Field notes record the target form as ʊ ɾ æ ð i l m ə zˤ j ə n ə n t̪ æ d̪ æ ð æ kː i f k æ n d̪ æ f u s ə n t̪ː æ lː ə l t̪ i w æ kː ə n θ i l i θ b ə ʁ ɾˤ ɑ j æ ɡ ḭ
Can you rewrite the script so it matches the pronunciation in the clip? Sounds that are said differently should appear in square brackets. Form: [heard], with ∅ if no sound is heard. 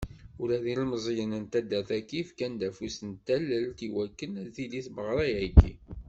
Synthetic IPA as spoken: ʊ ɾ æ ð i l m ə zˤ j ə n ə n t̪ æ d̪ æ [θ] æ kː i f k æ n d̪ æ f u s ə n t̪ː æ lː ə l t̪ i w æ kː ə n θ i l i θ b ə ʁ ɾˤ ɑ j æ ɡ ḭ